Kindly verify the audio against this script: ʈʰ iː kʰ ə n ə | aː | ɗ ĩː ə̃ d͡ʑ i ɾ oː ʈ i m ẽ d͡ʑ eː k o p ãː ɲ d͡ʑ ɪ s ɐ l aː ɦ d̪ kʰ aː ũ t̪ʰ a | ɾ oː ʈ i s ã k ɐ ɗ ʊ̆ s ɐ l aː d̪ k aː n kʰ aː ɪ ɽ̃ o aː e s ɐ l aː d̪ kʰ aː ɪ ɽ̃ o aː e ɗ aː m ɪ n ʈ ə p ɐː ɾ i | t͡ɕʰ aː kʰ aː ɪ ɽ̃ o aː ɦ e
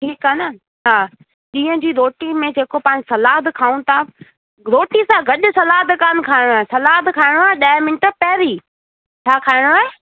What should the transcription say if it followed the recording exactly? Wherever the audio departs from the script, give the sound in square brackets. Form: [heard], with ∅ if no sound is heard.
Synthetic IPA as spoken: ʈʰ iː [k] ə n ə | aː | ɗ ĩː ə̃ d͡ʑ [iː] ɾ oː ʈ i m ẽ d͡ʑ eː k o p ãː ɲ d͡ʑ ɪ s ɐ l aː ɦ d̪ kʰ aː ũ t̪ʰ a | ɾ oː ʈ i s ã [ɡ] ɐ ɗ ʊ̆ s ɐ l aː d̪ k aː n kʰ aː ɪ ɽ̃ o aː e s ɐ l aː d̪ kʰ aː ɪ ɽ̃ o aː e ɗ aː m ɪ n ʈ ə p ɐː ɾ i | t͡ɕʰ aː kʰ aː ɪ ɽ̃ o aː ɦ e